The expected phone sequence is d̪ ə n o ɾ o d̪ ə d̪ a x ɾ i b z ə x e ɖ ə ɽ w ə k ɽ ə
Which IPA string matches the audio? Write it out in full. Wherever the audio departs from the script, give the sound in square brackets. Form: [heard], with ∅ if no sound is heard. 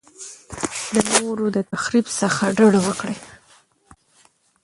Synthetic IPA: d̪ ə n o ɾ o d̪ ə [t̪] a x ɾ i b [s] ə x [a] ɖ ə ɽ w ə k ɽ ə